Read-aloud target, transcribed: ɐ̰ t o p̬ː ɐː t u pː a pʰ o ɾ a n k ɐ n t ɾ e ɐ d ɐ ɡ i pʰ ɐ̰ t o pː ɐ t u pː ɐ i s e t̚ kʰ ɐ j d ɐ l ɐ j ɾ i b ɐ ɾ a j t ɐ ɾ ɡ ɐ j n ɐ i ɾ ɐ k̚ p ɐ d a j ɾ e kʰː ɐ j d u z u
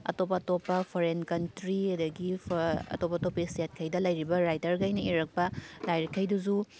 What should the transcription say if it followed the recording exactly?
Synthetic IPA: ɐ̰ t o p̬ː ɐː t o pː ɐ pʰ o ɾ e n k ɐ n t ɾ i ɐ d ɐ ɡ i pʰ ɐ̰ t o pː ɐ t o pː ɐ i s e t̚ kʰ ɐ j d ɐ l ɐ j ɾ i b ɐ ɾ a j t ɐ ɾ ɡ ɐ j n ɐ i ɾ ɐ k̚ p ɐ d a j ɾ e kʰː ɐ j d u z u